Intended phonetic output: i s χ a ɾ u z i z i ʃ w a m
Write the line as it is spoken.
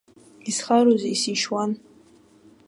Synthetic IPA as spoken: i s χ a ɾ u z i s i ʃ w a n